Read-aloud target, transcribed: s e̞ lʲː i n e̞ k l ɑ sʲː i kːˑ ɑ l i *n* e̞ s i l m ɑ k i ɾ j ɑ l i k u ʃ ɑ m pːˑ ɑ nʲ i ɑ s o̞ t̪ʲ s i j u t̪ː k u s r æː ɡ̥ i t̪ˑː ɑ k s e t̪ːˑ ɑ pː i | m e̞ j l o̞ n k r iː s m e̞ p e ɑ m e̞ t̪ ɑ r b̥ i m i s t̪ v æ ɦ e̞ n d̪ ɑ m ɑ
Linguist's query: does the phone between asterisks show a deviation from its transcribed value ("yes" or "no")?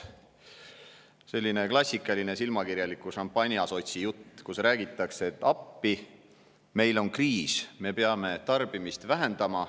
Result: no